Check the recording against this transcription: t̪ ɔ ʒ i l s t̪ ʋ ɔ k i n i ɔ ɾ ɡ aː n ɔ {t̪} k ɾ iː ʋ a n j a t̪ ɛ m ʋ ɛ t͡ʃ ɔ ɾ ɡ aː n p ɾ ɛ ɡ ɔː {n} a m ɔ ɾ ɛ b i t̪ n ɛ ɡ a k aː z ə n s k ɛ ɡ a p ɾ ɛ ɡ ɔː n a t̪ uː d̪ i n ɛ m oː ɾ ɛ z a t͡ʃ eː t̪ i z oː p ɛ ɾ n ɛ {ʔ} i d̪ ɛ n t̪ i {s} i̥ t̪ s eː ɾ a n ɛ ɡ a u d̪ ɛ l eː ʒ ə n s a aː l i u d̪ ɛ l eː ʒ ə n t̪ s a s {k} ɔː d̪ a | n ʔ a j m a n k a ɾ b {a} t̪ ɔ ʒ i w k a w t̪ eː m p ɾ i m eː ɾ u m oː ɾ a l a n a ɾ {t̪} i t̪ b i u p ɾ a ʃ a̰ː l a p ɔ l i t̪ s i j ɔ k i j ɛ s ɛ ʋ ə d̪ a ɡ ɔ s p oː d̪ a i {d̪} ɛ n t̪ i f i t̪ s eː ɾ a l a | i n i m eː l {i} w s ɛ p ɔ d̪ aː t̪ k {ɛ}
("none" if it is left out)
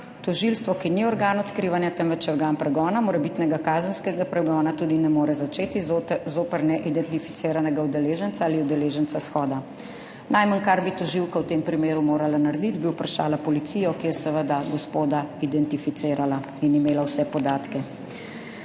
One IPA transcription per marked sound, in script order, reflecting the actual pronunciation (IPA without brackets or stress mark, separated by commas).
t̪, n, ʔ, f, x, i, d̪, d̪, a, ɛ